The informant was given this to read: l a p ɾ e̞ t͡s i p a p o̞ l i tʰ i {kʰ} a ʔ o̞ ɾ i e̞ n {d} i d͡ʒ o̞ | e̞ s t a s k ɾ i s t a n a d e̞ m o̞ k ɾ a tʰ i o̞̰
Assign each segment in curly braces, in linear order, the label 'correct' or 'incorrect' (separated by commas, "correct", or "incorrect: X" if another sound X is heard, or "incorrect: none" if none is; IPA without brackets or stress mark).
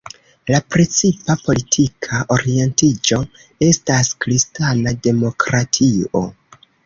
correct, incorrect: t